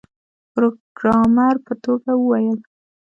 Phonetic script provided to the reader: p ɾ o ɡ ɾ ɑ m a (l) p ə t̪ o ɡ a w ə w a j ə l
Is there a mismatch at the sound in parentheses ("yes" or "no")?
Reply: yes